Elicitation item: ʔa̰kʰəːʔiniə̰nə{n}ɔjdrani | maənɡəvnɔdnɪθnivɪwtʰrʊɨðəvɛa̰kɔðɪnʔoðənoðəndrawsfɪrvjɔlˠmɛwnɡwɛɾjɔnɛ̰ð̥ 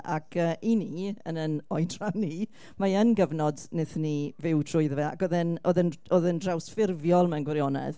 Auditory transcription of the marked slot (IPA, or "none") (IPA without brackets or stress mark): n